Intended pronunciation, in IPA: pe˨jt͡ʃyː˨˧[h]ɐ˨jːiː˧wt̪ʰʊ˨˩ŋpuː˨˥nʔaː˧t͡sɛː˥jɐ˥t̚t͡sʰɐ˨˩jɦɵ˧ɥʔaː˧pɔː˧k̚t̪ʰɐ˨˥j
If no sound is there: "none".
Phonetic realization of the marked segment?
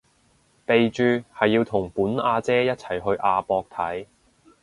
h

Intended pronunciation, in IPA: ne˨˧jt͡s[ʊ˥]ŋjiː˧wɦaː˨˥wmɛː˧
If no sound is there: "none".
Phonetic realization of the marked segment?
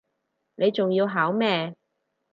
ʊ˨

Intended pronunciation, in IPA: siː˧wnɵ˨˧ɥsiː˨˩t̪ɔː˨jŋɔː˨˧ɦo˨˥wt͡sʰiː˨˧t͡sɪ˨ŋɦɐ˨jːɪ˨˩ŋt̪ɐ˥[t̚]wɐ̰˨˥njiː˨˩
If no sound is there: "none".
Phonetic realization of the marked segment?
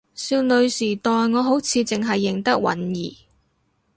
k̚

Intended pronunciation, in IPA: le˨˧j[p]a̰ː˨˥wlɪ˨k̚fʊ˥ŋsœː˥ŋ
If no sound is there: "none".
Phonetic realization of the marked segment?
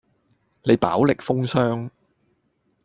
p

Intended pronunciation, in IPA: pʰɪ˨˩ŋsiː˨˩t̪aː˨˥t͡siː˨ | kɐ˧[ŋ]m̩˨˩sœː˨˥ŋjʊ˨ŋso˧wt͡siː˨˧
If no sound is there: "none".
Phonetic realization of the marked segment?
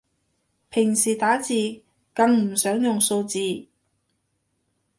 ŋ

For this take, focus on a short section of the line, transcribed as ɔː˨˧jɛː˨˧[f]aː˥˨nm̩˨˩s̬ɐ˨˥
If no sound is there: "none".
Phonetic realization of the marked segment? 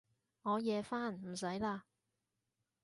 f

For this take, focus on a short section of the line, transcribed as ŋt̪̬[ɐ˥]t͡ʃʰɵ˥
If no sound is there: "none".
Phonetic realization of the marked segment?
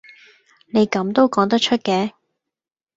ɐ˥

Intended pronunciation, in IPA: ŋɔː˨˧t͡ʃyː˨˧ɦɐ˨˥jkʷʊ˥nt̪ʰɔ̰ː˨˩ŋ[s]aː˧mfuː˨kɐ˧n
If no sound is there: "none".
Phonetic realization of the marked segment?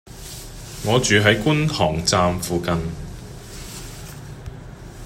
t͡s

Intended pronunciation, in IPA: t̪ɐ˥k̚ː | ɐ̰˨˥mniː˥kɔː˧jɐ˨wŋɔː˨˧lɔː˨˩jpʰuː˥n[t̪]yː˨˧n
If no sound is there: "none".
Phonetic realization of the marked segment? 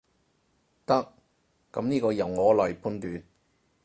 t̪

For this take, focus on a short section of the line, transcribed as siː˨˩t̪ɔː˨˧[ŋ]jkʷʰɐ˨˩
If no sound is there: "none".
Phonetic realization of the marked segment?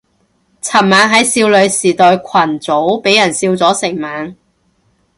none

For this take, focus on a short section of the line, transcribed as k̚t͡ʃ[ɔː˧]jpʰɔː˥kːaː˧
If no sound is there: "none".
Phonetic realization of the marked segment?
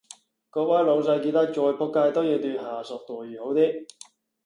ɔː˧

